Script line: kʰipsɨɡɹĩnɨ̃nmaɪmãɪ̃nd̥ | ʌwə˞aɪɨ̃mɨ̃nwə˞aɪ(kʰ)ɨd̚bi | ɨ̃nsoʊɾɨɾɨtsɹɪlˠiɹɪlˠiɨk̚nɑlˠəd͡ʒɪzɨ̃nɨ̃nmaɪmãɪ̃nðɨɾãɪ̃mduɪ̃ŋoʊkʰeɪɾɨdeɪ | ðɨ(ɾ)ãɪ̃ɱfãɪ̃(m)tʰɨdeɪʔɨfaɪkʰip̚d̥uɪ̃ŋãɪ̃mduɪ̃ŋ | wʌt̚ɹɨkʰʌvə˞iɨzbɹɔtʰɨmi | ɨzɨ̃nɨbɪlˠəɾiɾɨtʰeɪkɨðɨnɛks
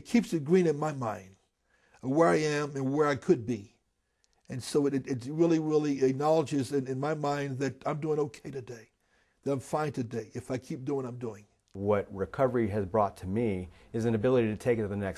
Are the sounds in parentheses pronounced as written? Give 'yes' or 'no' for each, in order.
yes, yes, no

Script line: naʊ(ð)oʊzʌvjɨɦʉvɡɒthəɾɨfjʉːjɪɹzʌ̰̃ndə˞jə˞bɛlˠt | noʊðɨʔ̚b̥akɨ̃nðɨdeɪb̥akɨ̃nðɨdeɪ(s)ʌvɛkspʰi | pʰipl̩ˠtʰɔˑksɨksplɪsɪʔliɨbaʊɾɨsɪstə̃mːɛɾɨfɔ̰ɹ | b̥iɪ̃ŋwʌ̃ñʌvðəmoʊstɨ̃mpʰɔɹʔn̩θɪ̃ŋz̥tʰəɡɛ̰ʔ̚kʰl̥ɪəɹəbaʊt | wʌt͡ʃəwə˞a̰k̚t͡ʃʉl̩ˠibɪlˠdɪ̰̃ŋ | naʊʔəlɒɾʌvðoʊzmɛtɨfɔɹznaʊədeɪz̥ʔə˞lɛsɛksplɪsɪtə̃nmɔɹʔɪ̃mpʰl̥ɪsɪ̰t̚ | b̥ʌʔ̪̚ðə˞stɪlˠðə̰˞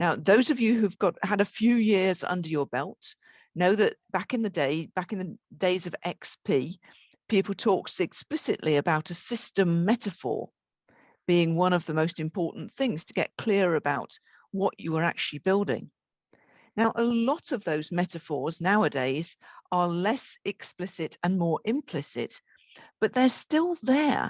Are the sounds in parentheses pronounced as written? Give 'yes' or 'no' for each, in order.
yes, no

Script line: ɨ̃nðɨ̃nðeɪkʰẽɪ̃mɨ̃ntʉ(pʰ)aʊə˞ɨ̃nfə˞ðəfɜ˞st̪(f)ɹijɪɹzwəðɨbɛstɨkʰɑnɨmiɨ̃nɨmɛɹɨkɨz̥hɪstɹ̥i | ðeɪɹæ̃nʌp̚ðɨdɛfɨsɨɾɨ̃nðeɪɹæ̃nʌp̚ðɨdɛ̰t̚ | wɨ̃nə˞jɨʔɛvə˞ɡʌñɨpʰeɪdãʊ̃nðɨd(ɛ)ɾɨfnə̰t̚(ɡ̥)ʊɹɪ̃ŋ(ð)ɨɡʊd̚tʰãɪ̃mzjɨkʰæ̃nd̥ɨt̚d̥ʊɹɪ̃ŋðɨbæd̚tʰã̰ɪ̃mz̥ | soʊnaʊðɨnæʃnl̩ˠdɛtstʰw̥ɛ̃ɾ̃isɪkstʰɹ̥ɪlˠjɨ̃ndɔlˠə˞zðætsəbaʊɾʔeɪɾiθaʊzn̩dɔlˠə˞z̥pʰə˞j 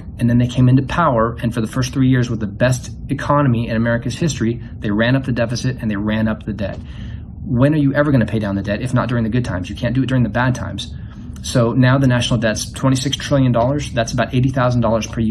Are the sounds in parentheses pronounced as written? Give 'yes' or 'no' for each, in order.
yes, no, yes, no, yes

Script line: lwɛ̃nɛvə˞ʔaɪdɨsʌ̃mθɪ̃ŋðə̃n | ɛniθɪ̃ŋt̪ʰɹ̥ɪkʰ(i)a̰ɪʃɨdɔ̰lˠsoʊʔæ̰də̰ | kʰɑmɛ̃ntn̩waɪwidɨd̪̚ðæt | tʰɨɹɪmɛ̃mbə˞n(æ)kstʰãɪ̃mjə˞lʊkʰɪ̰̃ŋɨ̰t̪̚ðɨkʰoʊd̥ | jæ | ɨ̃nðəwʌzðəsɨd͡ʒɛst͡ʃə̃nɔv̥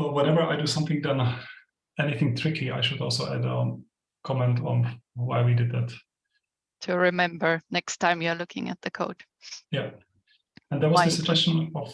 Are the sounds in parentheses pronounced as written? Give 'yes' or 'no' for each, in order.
yes, no

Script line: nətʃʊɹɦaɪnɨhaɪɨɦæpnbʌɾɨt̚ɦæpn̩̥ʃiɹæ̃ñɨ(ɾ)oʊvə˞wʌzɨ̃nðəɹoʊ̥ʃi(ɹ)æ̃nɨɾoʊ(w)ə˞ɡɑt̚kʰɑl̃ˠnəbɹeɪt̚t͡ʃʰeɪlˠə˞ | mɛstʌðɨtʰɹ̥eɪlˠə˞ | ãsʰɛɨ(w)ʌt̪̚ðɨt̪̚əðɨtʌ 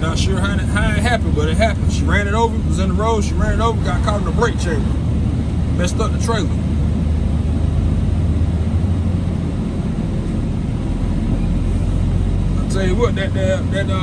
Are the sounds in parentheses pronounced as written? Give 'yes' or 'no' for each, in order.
yes, yes, no, yes

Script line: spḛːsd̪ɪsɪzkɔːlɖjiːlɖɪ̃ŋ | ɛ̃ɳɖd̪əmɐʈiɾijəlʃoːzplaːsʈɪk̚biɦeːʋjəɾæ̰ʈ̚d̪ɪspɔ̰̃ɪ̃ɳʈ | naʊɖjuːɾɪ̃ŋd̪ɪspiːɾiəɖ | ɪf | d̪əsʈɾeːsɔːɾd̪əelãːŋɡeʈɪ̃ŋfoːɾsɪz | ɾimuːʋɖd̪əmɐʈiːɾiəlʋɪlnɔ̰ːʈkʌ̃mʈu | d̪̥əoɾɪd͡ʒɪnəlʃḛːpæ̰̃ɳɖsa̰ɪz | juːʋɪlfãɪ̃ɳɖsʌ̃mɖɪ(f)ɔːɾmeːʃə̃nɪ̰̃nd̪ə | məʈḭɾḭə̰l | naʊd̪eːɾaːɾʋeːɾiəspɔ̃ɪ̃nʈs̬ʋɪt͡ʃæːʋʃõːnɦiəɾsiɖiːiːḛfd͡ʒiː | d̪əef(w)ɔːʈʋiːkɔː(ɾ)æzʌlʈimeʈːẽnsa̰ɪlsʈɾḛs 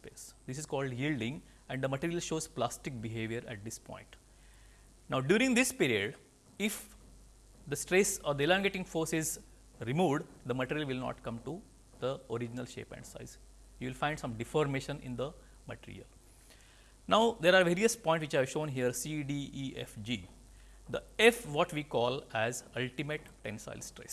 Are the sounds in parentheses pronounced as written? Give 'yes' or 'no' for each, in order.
yes, no, no

